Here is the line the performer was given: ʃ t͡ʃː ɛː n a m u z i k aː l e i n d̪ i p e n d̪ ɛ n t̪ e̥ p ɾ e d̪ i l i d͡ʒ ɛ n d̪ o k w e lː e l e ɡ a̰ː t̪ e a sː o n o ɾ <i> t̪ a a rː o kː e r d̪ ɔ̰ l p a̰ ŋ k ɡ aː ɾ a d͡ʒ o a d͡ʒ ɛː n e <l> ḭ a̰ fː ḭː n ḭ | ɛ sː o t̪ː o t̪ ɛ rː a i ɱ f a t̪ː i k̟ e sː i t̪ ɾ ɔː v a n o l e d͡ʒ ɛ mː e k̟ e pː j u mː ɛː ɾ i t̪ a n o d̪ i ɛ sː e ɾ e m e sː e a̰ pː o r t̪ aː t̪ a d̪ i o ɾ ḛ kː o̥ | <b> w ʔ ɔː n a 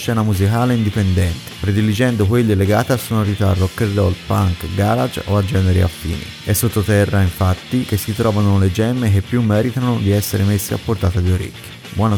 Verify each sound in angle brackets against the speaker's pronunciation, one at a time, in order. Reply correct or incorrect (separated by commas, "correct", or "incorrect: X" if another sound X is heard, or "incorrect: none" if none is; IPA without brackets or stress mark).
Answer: correct, incorrect: ɾ, correct